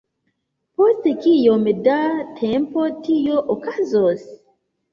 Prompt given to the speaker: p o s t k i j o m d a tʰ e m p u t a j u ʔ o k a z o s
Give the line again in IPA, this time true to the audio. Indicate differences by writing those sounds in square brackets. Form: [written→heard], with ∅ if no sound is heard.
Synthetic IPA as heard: p o s t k i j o m d a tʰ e m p [u→o] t [a→i] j [u→o] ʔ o k a z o s